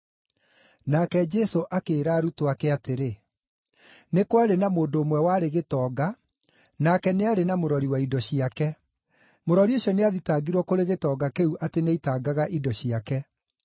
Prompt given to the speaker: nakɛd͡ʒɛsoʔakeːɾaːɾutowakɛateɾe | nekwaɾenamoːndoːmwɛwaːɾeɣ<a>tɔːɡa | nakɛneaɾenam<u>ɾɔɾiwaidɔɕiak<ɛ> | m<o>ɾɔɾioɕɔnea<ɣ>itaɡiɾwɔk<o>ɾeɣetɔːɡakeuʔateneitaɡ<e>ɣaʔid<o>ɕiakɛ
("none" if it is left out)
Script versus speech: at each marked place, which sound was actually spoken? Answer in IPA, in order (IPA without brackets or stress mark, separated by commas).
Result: e, o, ɛ, o, ð, o, a, ɔ